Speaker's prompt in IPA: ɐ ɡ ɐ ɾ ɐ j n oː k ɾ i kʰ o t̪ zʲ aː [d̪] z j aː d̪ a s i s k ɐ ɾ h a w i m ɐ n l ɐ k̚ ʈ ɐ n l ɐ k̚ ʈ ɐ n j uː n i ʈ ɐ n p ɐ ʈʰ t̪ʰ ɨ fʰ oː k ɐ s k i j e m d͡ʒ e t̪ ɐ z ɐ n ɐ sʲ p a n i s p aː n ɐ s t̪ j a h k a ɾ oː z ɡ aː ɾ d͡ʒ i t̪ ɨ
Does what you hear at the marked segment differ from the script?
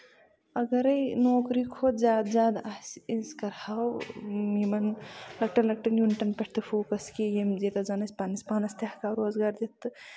no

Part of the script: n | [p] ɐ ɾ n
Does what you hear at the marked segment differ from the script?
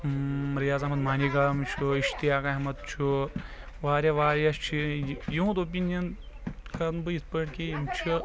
yes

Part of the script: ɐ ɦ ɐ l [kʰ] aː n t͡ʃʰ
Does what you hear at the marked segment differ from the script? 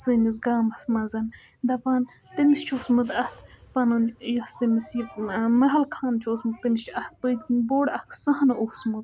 no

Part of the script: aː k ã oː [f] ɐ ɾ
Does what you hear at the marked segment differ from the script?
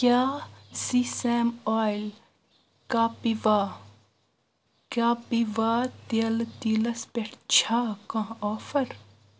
no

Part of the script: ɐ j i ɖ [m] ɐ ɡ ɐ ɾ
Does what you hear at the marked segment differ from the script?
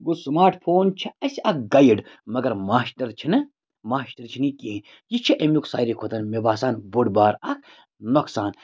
no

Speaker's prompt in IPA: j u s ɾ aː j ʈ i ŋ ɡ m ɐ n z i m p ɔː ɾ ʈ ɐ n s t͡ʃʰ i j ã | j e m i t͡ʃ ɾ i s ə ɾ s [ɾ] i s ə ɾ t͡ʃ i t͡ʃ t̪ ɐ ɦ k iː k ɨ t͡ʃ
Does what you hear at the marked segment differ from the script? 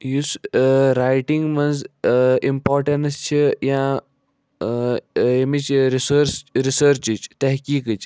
no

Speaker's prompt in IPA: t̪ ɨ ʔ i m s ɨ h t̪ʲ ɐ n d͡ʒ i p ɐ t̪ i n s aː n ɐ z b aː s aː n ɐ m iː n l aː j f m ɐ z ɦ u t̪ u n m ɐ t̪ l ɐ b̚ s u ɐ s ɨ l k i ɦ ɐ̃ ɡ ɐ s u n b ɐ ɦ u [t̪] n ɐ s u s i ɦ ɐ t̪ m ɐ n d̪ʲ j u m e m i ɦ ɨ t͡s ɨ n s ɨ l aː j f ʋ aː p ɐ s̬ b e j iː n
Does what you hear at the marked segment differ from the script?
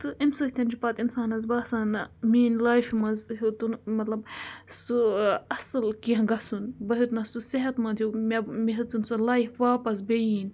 no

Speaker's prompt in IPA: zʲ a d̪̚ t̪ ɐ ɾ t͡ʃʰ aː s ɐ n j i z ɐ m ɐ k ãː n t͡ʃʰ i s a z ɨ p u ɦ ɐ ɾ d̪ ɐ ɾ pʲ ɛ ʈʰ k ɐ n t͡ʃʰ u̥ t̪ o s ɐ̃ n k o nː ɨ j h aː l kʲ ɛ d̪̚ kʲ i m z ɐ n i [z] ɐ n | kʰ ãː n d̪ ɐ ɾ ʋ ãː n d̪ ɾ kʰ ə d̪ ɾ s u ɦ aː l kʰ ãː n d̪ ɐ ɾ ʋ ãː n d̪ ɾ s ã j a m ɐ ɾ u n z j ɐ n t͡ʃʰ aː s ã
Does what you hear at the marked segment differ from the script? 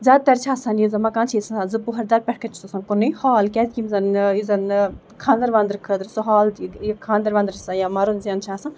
no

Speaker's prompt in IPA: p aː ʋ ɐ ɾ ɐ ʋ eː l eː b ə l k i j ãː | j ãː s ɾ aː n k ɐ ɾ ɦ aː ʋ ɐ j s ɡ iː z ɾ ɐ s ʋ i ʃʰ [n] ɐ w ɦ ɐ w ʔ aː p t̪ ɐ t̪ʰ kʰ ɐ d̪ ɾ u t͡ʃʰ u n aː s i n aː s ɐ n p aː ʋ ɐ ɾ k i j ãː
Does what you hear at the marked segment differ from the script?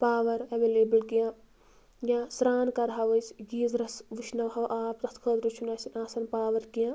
no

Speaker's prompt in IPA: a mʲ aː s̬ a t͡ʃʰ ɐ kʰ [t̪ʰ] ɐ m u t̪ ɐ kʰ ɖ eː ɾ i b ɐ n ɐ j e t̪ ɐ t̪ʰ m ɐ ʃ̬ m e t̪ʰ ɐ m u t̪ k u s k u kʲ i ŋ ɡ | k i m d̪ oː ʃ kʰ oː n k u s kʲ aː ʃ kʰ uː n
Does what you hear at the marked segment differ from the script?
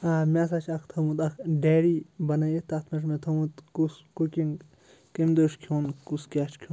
no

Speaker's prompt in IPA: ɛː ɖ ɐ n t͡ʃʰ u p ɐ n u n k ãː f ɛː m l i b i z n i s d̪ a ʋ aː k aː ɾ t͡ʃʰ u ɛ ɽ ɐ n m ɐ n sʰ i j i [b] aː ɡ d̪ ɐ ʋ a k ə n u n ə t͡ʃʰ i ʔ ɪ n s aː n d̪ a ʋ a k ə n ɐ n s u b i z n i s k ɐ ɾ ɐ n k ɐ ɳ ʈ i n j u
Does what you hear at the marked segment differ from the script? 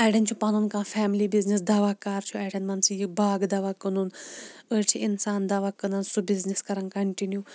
no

